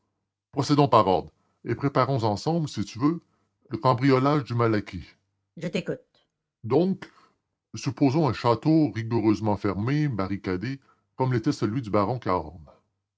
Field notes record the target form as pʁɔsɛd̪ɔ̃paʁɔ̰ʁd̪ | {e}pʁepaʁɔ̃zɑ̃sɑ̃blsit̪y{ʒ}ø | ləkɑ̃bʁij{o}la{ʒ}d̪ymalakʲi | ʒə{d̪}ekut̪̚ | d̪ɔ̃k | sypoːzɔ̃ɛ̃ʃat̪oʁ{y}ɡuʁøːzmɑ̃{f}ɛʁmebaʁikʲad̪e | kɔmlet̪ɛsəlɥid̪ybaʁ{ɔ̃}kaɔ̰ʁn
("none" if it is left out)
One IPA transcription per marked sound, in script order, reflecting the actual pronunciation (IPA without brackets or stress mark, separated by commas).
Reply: e, v, ɔ, ʒ, t̪, i, f, ɔ̃